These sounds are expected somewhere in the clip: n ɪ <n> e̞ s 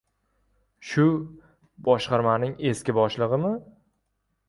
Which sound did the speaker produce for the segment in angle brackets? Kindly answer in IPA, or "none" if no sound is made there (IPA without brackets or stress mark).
ŋ